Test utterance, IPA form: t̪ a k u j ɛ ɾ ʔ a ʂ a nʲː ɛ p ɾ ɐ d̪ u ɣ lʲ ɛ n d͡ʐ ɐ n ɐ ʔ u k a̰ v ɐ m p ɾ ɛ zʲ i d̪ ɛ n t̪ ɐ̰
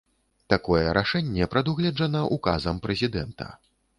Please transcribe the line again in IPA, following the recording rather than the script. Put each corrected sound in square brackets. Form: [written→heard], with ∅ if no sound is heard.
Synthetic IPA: t̪ a k [u→ɔ] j ɛ ɾ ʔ a ʂ [a→ɛ] nʲː ɛ p ɾ ɐ d̪ u ɣ lʲ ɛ [n→∅] d͡ʐ ɐ n ɐ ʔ u k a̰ [v→z] ɐ m p ɾ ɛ zʲ i d̪ ɛ n t̪ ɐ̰